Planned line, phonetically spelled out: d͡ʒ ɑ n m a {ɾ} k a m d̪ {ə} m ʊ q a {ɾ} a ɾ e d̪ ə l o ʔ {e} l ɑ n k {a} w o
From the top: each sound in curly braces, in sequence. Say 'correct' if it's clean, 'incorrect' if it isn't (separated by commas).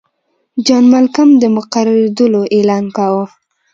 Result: incorrect, correct, correct, correct, correct